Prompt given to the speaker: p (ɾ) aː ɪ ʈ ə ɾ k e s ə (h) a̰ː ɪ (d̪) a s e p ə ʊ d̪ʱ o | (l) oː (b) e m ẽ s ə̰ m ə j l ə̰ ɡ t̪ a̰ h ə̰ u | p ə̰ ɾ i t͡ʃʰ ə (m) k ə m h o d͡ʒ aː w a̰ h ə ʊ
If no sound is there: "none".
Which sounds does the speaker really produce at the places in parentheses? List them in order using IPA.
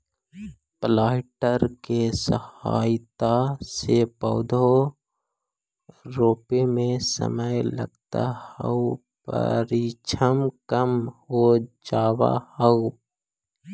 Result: l, h, t̪, ɾ, p, m

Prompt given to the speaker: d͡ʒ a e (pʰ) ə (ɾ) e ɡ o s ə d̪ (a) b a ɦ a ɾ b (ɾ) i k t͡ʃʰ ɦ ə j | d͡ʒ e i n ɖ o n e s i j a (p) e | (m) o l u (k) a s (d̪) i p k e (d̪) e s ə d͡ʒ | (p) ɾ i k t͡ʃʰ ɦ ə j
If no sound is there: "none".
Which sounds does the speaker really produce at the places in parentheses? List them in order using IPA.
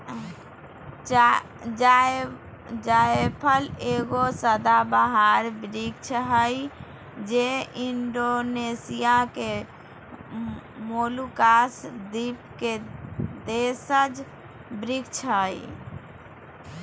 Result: pʰ, l, a, ɾ, k, m, k, d̪, d̪, b

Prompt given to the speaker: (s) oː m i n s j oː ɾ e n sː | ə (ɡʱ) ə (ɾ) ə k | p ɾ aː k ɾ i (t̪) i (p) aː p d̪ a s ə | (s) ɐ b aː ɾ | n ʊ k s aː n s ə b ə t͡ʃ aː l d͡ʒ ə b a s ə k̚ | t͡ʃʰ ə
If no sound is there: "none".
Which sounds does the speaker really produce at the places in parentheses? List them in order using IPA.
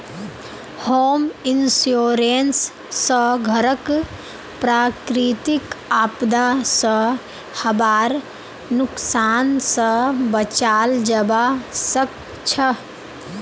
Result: h, ɡʱ, ɾ, t̪, k, h

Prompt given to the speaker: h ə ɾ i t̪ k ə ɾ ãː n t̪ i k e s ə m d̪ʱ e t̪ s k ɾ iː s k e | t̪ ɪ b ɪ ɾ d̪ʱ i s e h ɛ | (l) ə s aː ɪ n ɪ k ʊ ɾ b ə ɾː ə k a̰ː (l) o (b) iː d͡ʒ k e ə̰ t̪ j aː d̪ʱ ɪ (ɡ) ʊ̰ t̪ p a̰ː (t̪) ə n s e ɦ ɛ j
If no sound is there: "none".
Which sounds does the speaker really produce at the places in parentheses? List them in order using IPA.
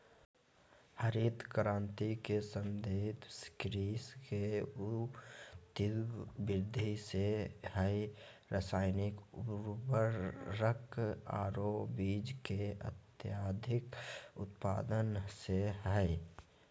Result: ɾ, ɾ, b, k, d̪

